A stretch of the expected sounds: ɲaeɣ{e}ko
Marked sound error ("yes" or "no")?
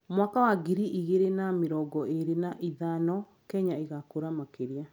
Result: yes